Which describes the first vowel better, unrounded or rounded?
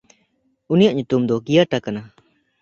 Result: rounded